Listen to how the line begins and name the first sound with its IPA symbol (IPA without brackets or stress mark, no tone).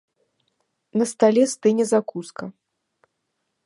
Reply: n